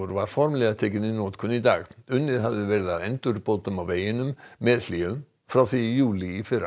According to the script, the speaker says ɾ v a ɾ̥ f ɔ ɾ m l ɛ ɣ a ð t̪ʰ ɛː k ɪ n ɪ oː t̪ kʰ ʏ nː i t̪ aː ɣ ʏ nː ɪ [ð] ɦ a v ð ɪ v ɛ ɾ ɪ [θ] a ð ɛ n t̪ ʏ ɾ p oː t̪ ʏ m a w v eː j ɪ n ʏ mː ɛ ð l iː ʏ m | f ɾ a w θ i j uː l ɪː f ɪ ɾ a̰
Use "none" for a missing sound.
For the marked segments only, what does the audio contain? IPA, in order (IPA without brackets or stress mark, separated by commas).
ð, ð